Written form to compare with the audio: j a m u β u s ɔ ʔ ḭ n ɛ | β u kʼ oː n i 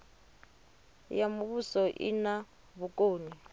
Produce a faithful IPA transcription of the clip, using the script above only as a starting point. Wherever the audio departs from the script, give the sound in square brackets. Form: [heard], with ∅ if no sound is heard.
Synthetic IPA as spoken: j a m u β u s ɔ ʔ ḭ n [a] | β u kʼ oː n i